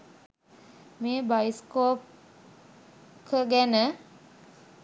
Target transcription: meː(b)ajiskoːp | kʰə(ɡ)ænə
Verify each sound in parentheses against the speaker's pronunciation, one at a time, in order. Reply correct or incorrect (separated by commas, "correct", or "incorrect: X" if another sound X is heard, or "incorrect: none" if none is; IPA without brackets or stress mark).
correct, correct